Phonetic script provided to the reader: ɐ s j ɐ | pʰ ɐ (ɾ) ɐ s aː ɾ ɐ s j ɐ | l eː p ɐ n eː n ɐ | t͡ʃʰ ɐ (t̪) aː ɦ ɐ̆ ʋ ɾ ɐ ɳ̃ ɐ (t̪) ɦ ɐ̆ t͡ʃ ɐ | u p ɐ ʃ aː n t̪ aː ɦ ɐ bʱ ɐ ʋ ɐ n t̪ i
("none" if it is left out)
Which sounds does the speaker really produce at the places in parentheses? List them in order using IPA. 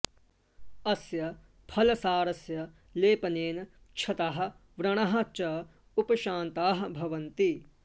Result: l, t̪, none

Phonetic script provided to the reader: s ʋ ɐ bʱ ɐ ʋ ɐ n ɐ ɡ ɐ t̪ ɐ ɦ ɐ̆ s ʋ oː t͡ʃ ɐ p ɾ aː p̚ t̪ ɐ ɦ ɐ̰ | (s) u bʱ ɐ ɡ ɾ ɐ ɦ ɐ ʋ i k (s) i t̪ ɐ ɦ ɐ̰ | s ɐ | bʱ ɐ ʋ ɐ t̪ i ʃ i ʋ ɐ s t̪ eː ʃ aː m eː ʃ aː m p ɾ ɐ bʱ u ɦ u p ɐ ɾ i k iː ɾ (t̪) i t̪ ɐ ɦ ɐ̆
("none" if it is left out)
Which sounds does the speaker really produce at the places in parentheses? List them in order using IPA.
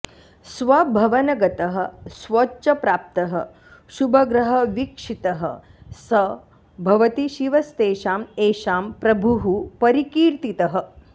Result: ʃ, ʂ, t̪

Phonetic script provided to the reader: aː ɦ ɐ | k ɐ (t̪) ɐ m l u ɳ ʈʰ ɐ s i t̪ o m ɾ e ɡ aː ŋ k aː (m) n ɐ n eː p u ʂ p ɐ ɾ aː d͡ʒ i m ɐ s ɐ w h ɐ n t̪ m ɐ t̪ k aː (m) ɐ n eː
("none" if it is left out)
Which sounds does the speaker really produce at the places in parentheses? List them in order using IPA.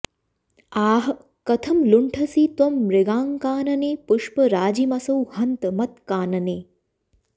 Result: t̪ʰ, none, n

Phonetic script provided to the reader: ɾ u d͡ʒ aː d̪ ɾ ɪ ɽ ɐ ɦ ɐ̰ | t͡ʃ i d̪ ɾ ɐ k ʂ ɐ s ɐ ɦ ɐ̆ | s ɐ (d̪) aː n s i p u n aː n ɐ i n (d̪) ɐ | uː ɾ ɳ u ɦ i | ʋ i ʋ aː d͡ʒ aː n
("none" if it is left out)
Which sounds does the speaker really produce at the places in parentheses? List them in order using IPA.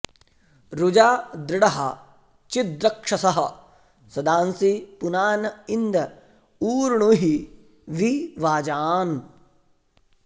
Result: d̪, d̪

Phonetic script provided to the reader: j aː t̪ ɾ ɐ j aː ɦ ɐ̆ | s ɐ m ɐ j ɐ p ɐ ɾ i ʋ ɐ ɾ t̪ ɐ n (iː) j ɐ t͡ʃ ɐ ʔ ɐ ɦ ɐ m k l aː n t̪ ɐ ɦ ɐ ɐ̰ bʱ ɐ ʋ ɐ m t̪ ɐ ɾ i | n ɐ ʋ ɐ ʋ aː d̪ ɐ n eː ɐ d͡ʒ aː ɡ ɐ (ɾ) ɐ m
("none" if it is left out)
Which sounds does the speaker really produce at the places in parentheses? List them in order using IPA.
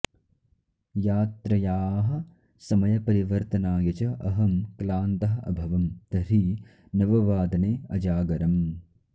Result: aː, ɾ

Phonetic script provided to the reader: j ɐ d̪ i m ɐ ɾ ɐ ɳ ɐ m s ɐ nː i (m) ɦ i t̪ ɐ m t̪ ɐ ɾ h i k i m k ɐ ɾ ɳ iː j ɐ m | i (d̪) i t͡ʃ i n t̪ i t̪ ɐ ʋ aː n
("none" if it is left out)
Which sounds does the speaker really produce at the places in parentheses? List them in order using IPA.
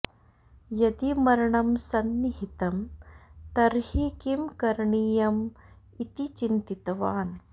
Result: none, t̪

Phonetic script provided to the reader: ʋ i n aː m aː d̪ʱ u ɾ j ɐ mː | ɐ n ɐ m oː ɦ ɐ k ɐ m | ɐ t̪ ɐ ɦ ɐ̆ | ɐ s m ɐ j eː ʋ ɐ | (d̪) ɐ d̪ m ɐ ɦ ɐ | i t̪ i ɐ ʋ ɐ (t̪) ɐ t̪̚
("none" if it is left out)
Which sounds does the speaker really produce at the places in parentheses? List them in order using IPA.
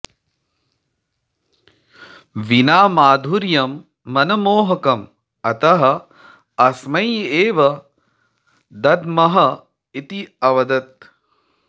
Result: d̪, d̪

